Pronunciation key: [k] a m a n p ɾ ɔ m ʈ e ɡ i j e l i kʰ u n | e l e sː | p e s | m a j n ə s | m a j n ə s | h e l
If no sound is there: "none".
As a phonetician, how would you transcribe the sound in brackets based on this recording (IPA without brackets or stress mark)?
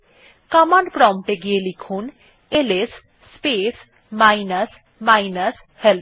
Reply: k